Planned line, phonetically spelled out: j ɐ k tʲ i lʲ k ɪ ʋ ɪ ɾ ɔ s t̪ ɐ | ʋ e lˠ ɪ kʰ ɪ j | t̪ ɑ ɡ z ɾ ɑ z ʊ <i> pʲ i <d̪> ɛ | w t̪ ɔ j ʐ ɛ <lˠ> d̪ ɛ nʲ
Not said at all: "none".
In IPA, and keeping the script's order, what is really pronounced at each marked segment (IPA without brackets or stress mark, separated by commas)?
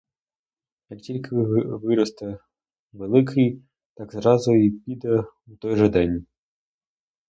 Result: i, d̪, none